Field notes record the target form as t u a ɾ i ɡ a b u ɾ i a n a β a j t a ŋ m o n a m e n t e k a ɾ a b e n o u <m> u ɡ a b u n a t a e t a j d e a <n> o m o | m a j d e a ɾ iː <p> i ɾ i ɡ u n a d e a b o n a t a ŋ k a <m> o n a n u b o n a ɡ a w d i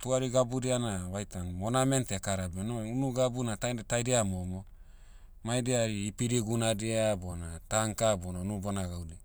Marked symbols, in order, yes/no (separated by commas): no, no, yes, no